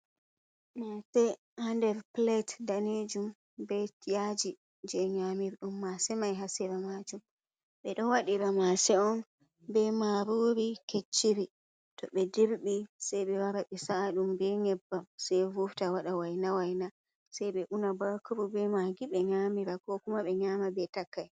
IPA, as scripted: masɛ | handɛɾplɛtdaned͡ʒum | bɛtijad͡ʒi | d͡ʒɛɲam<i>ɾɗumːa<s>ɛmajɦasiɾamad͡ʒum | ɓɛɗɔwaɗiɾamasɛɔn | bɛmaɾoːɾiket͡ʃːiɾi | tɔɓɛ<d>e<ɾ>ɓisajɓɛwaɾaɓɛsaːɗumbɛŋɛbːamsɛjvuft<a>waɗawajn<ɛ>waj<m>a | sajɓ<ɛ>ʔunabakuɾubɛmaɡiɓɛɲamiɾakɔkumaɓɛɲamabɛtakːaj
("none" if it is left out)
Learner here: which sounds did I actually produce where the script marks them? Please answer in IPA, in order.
i, s, d, ɾ, a, a, n, ɛ

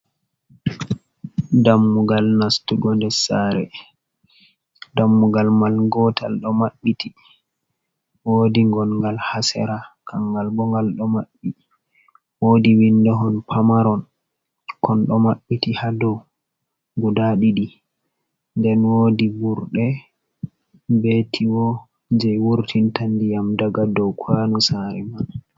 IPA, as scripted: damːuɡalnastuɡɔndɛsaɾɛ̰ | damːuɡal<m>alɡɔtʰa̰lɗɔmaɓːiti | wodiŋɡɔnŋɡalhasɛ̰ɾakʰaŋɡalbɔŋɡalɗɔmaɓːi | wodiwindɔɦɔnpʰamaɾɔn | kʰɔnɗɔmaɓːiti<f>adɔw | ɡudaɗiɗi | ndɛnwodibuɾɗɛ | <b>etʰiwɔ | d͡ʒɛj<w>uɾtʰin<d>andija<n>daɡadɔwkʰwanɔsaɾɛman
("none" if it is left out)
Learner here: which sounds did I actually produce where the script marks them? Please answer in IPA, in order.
m, h, b, w, t, m

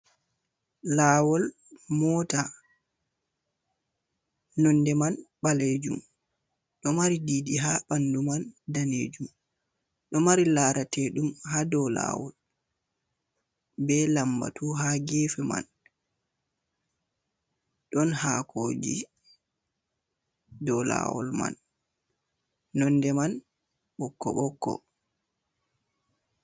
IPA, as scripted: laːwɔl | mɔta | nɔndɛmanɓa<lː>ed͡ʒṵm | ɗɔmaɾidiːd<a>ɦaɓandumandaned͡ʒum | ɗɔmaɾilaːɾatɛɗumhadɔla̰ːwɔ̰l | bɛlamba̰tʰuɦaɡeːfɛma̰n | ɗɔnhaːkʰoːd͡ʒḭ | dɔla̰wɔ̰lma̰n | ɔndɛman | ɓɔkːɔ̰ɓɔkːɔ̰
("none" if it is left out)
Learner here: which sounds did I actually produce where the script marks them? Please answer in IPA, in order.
l, i

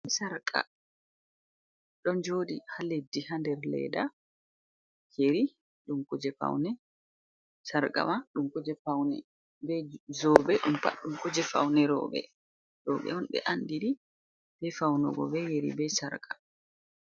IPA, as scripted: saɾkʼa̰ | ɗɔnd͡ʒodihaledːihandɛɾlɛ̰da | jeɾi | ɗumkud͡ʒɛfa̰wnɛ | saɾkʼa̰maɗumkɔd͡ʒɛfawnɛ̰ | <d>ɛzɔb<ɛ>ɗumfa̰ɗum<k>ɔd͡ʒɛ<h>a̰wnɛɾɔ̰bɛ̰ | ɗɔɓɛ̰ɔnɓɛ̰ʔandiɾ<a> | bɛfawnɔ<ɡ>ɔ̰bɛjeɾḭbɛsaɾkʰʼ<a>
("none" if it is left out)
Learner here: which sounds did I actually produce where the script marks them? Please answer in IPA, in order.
b, ɛ, k, f, i, ɡ, a

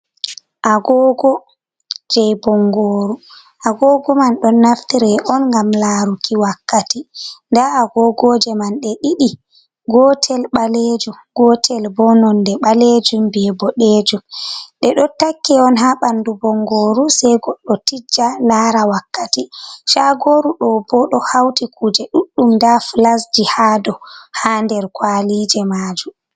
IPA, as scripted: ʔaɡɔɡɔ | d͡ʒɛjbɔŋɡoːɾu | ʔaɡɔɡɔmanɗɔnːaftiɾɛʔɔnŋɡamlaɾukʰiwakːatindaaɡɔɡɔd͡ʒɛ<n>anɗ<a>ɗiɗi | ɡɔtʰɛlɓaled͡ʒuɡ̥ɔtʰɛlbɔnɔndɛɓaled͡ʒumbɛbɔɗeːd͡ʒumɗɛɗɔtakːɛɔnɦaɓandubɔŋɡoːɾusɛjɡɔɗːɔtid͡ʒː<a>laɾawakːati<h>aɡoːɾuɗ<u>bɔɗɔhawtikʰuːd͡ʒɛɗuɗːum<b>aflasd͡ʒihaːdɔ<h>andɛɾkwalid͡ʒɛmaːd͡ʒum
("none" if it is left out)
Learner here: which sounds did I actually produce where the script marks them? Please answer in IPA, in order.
m, ɛ, a, ʃ, ɔ, d, h

